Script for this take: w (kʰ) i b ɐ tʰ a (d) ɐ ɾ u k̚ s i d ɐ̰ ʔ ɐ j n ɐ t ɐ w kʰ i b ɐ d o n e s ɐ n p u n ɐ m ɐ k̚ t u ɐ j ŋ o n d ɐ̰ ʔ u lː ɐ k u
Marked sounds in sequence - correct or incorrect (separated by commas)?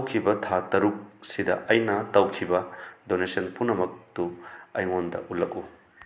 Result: correct, incorrect